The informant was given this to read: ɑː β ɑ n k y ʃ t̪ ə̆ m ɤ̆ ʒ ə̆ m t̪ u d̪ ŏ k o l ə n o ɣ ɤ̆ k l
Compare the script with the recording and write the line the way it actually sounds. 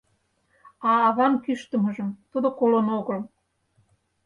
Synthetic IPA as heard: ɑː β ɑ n k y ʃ t̪ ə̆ m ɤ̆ ʒ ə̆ m t̪ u d̪ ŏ k o l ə n o ɣ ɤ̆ l